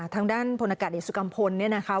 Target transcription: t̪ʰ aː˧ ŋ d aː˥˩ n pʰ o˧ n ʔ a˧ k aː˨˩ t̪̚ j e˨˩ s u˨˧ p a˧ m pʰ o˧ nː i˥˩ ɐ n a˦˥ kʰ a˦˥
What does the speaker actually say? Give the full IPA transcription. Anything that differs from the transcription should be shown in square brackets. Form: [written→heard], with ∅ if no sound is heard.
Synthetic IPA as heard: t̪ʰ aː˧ ŋ d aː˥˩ n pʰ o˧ n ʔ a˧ k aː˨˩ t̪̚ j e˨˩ s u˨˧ [p→k] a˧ m pʰ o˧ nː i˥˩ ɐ n a˦˥ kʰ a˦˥